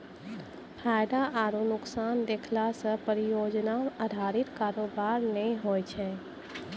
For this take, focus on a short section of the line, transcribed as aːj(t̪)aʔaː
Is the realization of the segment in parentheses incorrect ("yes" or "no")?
yes